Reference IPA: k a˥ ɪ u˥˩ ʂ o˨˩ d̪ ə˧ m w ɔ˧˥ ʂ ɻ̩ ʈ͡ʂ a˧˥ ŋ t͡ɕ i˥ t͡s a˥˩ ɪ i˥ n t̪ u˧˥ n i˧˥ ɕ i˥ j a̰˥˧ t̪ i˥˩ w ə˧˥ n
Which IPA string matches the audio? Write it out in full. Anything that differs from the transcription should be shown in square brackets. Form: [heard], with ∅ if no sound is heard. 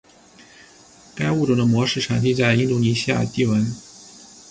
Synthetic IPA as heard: k a˥ ɪ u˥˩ [ʈ͡ʂ] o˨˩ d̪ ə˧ m w ɔ˧˥ ʂ ɻ̩ [ʈ͡ʂʰ] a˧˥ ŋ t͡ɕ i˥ t͡s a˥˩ ɪ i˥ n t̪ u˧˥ n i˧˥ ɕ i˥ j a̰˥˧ t̪ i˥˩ w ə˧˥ n